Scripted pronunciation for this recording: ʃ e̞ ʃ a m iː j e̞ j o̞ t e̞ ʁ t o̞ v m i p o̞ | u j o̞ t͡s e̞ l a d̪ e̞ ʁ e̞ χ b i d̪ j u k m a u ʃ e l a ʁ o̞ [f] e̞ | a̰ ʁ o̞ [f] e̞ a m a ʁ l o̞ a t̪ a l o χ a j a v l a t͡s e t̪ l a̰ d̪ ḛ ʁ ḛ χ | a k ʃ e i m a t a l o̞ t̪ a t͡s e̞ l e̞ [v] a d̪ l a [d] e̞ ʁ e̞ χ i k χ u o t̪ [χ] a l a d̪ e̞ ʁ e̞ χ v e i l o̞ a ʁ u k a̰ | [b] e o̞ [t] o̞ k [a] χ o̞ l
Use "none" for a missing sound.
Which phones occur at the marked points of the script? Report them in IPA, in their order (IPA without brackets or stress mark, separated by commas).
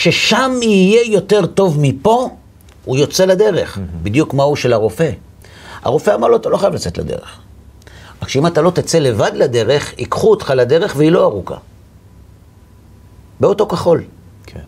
f, f, v, d, χ, b, t, a